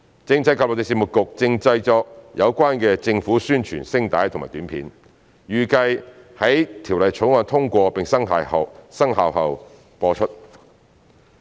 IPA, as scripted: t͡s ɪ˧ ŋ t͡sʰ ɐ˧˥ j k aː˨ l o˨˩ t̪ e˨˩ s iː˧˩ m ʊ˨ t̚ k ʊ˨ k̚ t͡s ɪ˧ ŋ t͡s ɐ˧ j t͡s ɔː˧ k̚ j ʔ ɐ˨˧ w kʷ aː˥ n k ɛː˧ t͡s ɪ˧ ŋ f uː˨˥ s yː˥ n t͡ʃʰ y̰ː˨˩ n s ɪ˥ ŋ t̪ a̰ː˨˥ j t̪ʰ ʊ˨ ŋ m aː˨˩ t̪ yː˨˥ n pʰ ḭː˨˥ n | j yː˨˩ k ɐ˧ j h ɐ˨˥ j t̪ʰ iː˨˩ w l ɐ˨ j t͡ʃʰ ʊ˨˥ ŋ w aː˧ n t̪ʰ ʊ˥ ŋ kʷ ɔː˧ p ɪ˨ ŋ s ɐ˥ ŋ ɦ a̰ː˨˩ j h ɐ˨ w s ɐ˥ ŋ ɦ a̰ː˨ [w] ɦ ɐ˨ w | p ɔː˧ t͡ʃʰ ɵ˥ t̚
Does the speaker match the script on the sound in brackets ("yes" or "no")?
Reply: yes